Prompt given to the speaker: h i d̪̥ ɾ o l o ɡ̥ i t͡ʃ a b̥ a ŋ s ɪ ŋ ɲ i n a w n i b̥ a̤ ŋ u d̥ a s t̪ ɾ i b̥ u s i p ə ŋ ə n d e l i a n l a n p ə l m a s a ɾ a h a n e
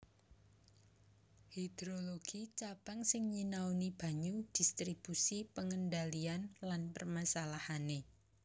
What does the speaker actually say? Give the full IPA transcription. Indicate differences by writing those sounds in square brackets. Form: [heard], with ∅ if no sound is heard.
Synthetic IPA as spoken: h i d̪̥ ɾ o l o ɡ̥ i t͡ʃ a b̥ a ŋ s ɪ ŋ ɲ i n a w n i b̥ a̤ [ɲ] u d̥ [i] s t̪ ɾ i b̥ u s i p ə ŋ ə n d [a] l i a n l a n p ə [r] m a s a [l] a h a n e